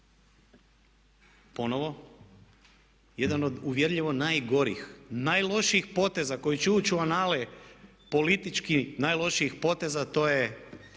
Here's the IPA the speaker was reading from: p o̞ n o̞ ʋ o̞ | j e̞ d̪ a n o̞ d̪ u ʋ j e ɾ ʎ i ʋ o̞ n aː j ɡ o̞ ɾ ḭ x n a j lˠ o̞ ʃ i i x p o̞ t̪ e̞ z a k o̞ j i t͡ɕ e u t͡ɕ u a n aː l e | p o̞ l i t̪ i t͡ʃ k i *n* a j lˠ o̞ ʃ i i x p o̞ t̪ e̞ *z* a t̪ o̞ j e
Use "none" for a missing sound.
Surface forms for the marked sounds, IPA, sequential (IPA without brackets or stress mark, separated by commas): n, z